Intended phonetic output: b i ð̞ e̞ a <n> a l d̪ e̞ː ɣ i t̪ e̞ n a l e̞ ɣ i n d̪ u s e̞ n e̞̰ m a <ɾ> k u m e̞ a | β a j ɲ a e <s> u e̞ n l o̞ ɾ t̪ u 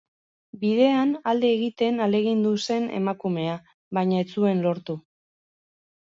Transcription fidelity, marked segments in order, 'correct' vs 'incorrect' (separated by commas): correct, incorrect, incorrect